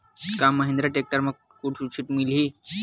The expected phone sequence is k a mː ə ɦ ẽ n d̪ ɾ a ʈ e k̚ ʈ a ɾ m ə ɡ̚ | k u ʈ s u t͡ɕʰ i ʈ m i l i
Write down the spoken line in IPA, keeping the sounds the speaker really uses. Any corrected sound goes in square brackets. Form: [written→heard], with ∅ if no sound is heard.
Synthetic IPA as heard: k a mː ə ɦ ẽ n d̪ ɾ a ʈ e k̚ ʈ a ɾ m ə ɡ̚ | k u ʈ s u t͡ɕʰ i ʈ m i l i